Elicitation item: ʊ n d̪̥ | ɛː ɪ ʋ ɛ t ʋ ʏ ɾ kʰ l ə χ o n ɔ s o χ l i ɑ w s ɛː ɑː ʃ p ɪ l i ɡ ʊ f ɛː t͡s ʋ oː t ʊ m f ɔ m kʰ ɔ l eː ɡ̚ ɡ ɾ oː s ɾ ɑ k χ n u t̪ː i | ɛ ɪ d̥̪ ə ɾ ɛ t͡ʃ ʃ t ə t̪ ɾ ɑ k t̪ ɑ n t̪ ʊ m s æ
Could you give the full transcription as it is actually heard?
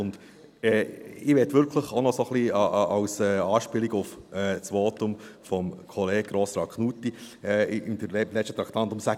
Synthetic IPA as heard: ʊ n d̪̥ | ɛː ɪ ʋ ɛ t ʋ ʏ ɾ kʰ l ə χ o n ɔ s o χ l i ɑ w s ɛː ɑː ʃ p ɪ l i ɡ ʊ f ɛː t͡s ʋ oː t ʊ m f ɔ m kʰ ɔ l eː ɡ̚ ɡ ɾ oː s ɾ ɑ k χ n u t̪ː i | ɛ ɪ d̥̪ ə l ɛ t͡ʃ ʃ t ə t̪ ɾ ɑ k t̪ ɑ n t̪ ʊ m s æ